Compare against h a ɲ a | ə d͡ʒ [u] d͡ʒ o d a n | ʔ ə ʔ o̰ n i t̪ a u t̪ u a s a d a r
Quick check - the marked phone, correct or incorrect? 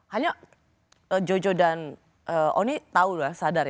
incorrect